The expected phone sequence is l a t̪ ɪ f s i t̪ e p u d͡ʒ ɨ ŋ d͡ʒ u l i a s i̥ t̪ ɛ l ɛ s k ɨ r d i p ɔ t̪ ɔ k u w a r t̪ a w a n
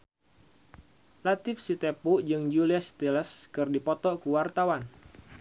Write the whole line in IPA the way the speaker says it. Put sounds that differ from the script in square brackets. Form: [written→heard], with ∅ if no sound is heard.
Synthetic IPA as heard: l a t̪ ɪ f s i t̪ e p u d͡ʒ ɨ ŋ d͡ʒ u l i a s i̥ t̪ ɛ l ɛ s k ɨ r d i p ɔ t̪ ɔ k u w a r t̪ a w a n